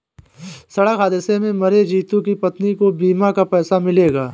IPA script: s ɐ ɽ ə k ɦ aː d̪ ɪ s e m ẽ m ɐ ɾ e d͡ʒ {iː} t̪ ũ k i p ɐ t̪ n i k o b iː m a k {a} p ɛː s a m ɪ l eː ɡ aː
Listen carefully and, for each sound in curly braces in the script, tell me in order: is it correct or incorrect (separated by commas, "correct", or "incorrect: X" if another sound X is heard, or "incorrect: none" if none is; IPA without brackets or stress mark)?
correct, correct